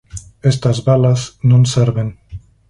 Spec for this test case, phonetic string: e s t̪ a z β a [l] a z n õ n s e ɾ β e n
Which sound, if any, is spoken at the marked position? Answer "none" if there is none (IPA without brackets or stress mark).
l